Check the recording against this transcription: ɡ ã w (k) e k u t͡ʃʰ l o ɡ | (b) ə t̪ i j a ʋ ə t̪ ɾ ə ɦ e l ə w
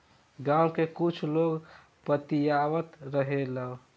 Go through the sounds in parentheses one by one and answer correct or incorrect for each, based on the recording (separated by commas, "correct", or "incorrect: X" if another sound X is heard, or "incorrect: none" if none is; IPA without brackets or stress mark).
correct, incorrect: p